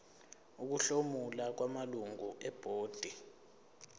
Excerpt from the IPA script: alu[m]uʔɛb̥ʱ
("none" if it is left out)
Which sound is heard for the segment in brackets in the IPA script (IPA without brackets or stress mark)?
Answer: ŋ